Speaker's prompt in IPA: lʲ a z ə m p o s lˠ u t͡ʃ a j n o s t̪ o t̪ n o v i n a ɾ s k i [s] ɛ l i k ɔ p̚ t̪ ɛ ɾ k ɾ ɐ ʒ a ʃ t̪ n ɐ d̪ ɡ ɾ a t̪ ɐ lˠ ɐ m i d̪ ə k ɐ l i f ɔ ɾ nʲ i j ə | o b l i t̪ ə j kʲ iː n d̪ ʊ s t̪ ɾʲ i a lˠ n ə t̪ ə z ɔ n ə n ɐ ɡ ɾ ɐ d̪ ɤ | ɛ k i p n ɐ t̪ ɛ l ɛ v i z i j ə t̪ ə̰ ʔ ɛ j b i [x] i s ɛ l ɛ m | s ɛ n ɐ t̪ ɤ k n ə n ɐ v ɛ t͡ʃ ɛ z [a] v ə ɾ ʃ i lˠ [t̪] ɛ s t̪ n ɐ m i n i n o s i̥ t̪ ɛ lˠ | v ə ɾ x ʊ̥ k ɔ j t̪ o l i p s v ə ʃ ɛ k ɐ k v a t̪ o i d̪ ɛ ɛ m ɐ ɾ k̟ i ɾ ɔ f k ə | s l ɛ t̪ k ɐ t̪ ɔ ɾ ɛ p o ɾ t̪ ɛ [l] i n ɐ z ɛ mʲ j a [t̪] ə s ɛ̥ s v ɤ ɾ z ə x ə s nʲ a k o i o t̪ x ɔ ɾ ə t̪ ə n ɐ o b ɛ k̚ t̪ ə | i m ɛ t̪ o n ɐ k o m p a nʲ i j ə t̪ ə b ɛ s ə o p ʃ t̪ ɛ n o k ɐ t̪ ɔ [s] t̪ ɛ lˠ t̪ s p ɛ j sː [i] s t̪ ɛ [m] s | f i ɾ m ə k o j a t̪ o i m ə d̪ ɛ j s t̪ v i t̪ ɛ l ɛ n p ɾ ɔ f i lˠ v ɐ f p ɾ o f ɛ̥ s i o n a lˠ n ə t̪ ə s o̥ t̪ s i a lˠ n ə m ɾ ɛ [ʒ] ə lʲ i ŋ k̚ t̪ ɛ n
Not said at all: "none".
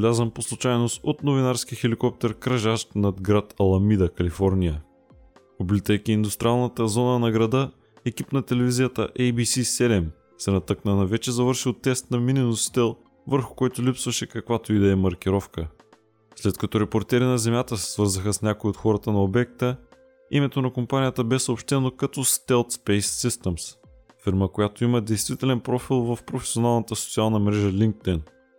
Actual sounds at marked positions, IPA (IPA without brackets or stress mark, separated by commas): x, s, ɐ, t̪, ɾ, t̪, s, i, m, ʒ